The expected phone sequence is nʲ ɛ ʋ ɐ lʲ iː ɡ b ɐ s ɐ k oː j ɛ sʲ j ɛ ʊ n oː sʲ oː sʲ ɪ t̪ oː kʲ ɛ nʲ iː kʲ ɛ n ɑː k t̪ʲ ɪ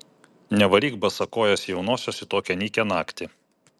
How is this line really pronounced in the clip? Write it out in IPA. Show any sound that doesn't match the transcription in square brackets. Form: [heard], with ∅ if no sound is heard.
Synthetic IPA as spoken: nʲ ɛ ʋ ɐ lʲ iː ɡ b ɐ s ɐ k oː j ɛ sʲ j ɛ ʊ n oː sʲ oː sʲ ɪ t̪ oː kʲ ɛ nʲ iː kʲ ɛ n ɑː k t̪ʲ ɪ